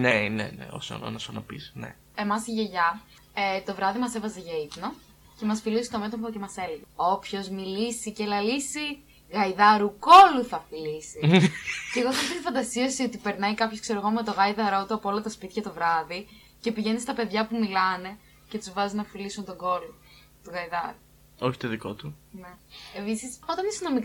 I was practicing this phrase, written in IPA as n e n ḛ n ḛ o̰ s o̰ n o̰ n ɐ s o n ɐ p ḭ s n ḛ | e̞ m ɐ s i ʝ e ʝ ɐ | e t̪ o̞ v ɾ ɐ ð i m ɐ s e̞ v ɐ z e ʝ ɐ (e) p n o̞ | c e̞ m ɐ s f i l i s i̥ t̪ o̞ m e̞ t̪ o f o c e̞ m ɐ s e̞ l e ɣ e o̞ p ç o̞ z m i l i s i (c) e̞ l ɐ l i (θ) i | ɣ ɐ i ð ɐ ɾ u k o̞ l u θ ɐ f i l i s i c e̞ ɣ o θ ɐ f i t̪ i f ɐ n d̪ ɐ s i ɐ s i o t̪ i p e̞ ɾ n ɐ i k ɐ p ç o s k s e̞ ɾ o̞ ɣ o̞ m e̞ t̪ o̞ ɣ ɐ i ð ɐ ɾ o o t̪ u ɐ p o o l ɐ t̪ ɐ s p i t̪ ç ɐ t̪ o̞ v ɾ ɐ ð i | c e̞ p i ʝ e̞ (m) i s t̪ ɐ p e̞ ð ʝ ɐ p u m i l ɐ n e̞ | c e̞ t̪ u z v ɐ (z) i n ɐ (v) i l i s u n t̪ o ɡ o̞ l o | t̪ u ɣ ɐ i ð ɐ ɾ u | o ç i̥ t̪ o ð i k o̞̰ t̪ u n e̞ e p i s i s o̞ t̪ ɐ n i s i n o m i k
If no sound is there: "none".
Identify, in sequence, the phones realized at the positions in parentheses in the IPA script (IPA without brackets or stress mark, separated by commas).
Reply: i, c, s, n, z, f